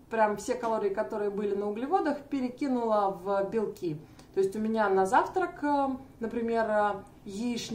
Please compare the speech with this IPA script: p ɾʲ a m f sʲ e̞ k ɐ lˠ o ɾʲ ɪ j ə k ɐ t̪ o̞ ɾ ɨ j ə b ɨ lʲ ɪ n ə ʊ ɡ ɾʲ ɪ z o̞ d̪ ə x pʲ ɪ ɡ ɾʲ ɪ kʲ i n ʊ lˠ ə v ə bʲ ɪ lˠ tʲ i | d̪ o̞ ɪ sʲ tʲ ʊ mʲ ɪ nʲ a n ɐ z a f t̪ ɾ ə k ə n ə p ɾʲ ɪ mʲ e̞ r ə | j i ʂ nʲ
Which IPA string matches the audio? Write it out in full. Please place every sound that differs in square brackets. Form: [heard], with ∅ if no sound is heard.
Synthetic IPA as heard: p ɾʲ a m f sʲ e̞ k ɐ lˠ o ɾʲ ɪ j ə k ɐ t̪ o̞ ɾ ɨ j ə b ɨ lʲ ɪ n ə ʊ ɡ [lʲ] ɪ [v] o̞ d̪ ə x pʲ ɪ [∅] ɾʲ ɪ kʲ i n ʊ lˠ ə v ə bʲ ɪ lˠ [kʲ] i | [t̪] o̞ ɪ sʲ tʲ ʊ mʲ ɪ nʲ a n ɐ z a f t̪ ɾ ə k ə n ə p ɾʲ ɪ mʲ e̞ r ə | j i ʂ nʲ